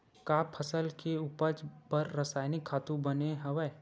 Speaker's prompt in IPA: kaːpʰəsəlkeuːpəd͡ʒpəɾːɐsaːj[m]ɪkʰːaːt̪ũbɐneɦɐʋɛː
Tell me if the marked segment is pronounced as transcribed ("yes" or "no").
no